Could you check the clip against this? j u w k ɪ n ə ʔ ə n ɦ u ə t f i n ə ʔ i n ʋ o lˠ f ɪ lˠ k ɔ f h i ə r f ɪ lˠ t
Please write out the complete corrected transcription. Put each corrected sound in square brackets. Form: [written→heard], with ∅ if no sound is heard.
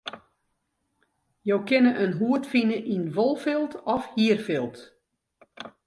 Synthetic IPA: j [u→o] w k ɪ n ə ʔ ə n ɦ u ə t f i n ə ʔ i n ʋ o lˠ f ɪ lˠ [k→t] ɔ f h i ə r f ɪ lˠ t